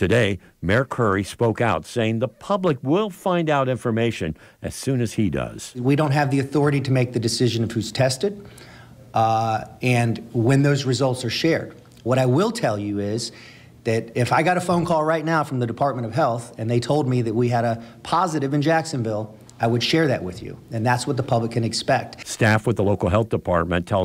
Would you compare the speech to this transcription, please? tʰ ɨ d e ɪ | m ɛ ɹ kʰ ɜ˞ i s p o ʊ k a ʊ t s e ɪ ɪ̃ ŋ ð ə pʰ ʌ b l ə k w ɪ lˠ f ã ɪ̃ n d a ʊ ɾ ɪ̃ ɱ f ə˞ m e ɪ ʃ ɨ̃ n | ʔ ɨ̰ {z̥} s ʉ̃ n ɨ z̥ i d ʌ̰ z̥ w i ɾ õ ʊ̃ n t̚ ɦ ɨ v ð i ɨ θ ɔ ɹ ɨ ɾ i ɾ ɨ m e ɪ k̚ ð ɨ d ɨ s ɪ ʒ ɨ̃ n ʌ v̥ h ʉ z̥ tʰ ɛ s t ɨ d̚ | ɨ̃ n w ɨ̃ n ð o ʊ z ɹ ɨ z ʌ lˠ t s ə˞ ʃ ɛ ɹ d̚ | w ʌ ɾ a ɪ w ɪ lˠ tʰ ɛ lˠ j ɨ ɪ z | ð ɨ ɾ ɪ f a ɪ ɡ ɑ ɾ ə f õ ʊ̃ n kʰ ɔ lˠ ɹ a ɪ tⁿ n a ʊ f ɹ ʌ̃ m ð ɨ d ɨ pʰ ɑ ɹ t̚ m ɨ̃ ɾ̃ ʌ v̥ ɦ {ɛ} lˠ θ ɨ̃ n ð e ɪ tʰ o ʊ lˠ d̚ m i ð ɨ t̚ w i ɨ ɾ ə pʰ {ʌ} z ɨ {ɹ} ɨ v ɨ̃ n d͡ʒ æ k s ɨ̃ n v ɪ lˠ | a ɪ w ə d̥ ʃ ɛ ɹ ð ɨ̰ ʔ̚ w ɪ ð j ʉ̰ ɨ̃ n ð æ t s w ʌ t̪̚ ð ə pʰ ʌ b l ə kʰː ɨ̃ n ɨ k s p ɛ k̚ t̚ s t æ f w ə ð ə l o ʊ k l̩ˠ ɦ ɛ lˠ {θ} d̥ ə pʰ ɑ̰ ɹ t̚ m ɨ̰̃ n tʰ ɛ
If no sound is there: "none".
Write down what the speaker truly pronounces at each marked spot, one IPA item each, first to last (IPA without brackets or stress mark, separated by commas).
z̥, ɛ, ɑ, ɾ, θ